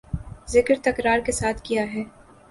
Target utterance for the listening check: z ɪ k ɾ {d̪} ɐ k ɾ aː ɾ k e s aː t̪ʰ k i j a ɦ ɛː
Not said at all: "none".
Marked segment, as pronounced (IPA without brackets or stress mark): t̪